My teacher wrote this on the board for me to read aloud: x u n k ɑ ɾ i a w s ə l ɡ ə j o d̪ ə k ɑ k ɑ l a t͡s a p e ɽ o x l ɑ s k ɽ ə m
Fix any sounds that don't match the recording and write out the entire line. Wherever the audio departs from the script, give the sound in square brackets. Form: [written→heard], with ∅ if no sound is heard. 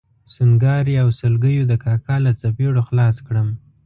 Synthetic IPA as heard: [x→s] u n [k→ɡ] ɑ ɾ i a w s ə l ɡ ə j o d̪ ə k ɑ k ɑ l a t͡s a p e ɽ o x l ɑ s k ɽ ə m

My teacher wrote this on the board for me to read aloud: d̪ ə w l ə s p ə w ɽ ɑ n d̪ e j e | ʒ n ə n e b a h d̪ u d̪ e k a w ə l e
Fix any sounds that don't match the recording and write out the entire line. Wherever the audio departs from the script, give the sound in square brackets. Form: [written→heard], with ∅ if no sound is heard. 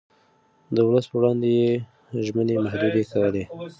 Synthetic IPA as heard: d̪ ə w l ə s p ə w ɽ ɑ n d̪ e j e | ʒ [n→m] ə n e [b→m] a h d̪ u d̪ e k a w ə l e

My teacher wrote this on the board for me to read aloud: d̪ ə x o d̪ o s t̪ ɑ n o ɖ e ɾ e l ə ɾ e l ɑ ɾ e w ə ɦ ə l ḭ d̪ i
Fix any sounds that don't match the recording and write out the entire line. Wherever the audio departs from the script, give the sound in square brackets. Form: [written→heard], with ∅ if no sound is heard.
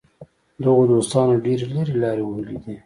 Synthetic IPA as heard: d̪ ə [x→ɣ] o d̪ o s t̪ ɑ n o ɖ e ɾ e l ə ɾ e l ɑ ɾ e w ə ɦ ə l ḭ d̪ i

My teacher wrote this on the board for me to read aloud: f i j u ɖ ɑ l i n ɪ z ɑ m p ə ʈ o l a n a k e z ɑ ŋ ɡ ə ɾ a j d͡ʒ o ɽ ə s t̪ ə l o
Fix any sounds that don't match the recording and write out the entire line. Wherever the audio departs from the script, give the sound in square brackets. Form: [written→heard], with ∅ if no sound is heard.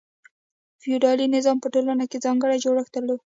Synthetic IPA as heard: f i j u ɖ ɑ l i n ɪ z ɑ m p ə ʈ o l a n a k e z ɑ ŋ ɡ ə [ɾ→ɽ] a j d͡ʒ o ɽ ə [s→x] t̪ ə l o

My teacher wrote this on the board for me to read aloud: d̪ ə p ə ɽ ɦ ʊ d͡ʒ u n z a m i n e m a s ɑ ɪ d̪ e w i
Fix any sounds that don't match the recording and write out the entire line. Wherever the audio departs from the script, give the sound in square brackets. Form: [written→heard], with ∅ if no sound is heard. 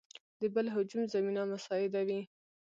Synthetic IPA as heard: d̪ ə [p→b] ə [ɽ→l] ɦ ʊ d͡ʒ u [n→m] z a m i n [e→a] m a s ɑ ɪ d̪ [e→a] w i

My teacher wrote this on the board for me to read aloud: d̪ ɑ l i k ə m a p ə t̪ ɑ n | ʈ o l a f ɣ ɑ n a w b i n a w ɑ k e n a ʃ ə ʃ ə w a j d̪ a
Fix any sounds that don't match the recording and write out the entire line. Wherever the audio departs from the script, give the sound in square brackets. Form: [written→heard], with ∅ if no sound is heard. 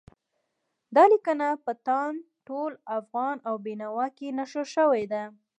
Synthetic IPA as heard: d̪ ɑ l i k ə [m→n] a p ə t̪ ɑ n | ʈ o l a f ɣ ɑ n a w b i n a w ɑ k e n a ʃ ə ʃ ə w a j d̪ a

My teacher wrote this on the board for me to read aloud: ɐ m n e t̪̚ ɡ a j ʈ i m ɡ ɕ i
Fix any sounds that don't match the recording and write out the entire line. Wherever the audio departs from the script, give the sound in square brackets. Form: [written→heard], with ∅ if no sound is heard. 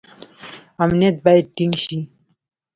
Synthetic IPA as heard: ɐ m n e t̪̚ [ɡ→b] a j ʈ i [m→ŋ] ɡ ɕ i

